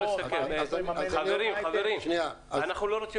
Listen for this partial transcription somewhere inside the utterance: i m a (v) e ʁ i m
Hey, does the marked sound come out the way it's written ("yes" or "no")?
yes